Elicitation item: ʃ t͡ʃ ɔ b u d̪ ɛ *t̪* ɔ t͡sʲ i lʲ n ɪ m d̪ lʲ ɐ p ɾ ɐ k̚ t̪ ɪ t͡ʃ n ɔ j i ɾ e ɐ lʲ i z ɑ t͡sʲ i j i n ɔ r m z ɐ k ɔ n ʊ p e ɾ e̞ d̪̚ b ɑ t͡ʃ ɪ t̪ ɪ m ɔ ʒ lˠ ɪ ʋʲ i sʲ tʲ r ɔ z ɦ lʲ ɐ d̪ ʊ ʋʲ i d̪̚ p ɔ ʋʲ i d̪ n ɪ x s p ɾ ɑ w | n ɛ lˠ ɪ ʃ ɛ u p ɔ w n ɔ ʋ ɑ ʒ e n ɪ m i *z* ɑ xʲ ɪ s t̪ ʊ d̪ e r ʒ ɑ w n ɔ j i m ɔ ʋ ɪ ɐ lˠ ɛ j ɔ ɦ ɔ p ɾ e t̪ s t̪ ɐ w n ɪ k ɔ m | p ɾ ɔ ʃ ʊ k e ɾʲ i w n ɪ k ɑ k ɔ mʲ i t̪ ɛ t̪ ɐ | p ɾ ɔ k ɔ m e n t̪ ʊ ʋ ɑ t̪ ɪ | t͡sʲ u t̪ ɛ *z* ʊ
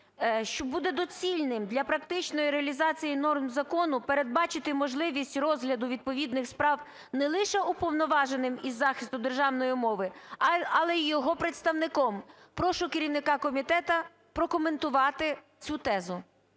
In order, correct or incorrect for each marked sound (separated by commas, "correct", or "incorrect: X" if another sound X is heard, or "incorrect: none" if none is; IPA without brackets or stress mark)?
incorrect: d̪, incorrect: zː, correct